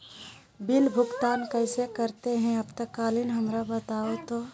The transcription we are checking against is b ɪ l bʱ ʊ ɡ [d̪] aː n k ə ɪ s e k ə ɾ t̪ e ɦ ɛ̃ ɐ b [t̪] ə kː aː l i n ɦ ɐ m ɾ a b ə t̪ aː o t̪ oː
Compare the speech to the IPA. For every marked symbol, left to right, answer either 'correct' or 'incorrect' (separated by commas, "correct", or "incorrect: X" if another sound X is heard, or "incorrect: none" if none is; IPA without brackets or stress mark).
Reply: incorrect: t̪, correct